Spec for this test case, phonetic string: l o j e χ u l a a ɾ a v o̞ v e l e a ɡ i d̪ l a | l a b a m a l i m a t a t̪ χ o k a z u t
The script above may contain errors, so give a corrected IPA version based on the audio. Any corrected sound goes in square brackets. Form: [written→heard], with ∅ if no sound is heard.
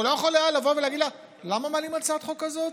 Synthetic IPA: l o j e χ [u→o] l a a [ɾ→l] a v o̞ v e l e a ɡ i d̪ l a | l a [b→m] a m a l i m a [t→t͡s] a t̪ χ o k a z [u→o] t

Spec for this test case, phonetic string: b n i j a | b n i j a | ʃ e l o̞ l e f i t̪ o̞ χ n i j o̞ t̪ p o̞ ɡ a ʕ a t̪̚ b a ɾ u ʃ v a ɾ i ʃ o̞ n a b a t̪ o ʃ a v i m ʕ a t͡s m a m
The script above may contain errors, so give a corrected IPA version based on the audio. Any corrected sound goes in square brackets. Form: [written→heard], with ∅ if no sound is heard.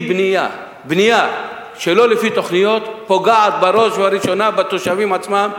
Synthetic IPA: b n i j a | b n i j a | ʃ e l o̞ l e f i t̪ o̞ χ n i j o̞ t̪ p o̞ ɡ a ʕ a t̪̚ b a ɾ [u→o] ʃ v a ɾ i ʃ o̞ n a b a t̪ o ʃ a v i m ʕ a t͡s m a m

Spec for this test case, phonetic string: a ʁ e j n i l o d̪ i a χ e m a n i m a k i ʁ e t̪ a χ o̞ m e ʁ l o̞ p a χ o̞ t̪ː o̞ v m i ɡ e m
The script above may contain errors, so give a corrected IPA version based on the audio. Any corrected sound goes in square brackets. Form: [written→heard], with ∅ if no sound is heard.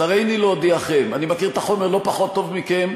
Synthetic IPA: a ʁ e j n i l o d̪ i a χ e m a n i m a k i ʁ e t̪ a χ o̞ m e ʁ l o̞ p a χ o̞ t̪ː o̞ v m i [ɡ→k] e m

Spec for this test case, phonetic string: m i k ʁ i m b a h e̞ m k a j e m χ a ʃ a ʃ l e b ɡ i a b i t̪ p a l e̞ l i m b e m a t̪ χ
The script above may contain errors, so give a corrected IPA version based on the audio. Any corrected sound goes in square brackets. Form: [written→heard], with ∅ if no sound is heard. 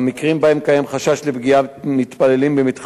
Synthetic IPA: m i k ʁ i m b a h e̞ m k a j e m χ a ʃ a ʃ l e b ɡ i a [b→m] i t̪ p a l e̞ l i m b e m [a→i] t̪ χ

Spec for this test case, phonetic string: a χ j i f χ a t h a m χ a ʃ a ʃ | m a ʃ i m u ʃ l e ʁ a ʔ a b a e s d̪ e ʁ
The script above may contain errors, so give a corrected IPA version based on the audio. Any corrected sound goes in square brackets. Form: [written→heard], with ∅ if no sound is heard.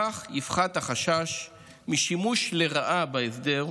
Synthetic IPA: a χ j i f χ a t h a [m→∅] χ a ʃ a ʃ | m [a→i] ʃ i m u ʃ l e ʁ a ʔ a b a e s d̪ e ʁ

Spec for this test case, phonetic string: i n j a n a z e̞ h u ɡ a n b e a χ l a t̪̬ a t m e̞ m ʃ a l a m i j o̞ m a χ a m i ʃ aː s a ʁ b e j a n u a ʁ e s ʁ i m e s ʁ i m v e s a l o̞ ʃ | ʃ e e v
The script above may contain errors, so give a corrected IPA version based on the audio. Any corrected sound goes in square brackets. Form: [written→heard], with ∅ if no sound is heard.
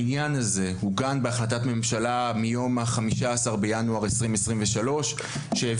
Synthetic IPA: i n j a n a z e̞ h u ɡ a n b e a χ l a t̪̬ a t m e̞ m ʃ a l a m i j o̞ m a χ a m i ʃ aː s a ʁ b e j a n u a ʁ e s ʁ i m e s ʁ i m v e [s→ʃ] a l o̞ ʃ | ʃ e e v

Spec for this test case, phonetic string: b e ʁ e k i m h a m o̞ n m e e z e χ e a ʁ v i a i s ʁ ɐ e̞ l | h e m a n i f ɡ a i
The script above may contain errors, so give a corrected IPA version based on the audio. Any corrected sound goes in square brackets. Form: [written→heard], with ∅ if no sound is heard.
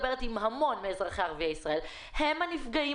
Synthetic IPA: b e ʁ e [k→t] i m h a m o̞ n m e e z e χ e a ʁ v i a i s ʁ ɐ e̞ l | h e m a n i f ɡ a i

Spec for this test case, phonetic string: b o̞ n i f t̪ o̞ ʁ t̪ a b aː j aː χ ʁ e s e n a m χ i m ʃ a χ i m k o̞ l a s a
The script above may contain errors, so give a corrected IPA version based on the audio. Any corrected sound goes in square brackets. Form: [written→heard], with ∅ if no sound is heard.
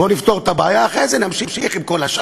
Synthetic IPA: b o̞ n i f t̪ o̞ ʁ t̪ a b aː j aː χ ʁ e [s→z] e n a m [χ→ʃ] i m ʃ [a→i] χ i m k o̞ l a [s→ʃ] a

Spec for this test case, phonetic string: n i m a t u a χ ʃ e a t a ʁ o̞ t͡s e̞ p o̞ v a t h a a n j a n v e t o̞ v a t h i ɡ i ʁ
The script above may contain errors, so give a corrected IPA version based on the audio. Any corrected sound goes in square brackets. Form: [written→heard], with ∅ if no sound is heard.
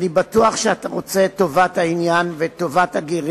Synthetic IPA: n i [m→b] a t u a χ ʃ e a t a ʁ o̞ t͡s e̞ [p→t] o̞ v a t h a [a→i] n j a n v e t o̞ v a t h [i→a] ɡ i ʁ

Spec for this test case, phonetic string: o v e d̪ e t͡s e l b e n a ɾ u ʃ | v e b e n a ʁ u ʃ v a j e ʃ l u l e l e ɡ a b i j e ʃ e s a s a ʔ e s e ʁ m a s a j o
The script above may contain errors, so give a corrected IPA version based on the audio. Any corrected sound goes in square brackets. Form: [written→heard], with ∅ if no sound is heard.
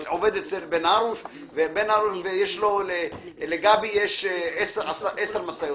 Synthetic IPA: o v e d̪ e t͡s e l b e n a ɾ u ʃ | v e b e n a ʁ u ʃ v [a→e] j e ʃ l [u→o] l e l e ɡ a b i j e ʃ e s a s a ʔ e s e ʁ m a s a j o

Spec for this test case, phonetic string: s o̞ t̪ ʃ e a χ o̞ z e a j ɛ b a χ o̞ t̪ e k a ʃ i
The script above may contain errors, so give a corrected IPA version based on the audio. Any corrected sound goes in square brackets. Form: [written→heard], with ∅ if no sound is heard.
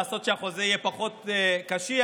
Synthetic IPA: s o̞ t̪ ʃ e a χ o̞ z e [a→i] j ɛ [b→p] a χ o̞ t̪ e k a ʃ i

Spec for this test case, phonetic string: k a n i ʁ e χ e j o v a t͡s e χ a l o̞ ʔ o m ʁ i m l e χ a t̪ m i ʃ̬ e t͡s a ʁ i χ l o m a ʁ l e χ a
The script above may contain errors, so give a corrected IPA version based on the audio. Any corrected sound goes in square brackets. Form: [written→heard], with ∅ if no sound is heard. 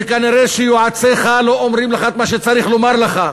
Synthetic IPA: k a n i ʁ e [χ→ʃ] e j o [v→ʕ] a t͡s e χ a l o̞ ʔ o m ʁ i m l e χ a t̪ m [i→a] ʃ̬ e t͡s a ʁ i χ l o m a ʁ l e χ a

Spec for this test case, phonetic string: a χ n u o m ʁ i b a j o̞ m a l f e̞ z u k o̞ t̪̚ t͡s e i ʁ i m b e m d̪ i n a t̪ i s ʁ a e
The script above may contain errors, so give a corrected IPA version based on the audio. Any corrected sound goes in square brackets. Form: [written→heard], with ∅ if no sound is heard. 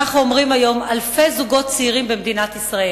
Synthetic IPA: a χ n u o m ʁ i [b→m] a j o̞ m a l f e̞ z u [k→ɡ] o̞ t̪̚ t͡s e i ʁ i m b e m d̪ i n a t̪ i s ʁ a e

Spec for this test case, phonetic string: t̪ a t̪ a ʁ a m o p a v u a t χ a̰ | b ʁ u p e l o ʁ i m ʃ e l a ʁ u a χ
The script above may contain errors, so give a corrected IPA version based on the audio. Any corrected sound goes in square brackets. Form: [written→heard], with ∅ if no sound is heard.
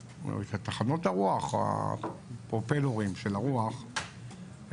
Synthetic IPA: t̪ a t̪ a [ʁ→χ] a [m→n] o [p→t] a [v→ʁ] u a [t→∅] χ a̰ | [b→p] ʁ [u→o] p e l o ʁ i m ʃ e l a ʁ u a χ

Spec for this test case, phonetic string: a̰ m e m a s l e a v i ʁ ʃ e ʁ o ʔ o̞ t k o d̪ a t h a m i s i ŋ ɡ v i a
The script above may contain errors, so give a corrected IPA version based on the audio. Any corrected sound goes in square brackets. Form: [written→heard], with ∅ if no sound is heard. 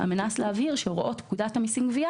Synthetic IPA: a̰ m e [m→n] a s l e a v i ʁ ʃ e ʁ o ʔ o̞ t k [o→u] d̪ a t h a m i s i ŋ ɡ v i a

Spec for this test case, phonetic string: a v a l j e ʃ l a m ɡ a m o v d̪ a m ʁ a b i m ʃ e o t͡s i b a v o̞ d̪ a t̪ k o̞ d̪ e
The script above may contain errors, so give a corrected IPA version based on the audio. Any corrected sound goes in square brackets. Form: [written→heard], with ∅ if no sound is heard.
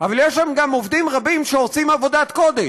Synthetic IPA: a v a l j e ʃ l a m ɡ a m o v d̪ [a→i] m ʁ a b i m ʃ e o t͡s i [b→m] a v o̞ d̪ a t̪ k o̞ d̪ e

